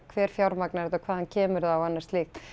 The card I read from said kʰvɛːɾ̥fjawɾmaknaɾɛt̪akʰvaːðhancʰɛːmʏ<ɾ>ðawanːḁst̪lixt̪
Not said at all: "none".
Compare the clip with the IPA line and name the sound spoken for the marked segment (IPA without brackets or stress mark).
ɾ